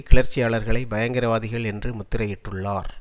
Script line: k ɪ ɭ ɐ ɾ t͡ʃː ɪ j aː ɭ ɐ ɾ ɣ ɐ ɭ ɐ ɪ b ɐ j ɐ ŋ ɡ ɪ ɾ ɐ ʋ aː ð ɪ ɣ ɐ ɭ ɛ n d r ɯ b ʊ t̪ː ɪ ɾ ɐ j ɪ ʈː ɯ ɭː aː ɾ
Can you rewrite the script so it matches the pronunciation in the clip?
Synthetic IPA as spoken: k ɪ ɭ ɐ ɾ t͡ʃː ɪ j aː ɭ ɐ ɾ ɣ ɐ ɭ ɐ ɪ b ɐ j ɐ ŋ ɡ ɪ ɾ ɐ ʋ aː ð ɪ ɣ ɐ ɭ ɛ n d r ɯ m ʊ t̪ː ɪ ɾ ɐ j ɪ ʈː ɯ ɭː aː ɾ